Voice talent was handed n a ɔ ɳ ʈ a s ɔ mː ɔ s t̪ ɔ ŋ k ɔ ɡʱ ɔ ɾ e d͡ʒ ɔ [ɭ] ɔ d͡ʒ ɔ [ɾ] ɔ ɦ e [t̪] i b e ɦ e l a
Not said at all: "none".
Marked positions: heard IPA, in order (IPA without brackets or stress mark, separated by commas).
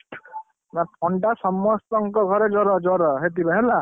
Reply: ɾ, ɾ, t̪